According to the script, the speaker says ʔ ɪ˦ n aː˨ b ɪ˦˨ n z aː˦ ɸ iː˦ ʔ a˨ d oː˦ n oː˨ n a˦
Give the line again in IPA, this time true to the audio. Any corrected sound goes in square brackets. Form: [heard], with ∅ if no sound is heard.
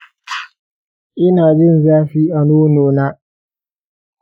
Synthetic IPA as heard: ʔ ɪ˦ n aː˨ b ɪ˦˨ n z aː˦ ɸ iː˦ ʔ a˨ [n] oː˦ n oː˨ n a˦